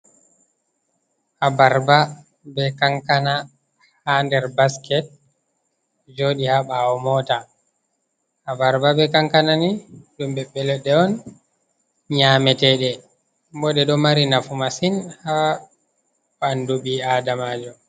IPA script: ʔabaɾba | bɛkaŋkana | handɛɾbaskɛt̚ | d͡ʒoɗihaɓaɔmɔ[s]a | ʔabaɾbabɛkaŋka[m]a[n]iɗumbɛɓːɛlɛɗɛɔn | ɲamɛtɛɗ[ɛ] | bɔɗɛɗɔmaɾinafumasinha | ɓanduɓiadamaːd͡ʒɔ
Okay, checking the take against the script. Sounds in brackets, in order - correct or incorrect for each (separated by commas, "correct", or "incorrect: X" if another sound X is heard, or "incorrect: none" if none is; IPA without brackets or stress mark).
incorrect: t, incorrect: n, correct, correct